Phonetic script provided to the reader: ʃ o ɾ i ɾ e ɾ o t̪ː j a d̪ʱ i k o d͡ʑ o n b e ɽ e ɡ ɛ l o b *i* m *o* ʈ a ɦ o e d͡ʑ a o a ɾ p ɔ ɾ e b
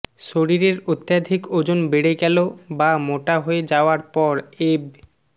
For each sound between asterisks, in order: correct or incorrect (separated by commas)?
incorrect, correct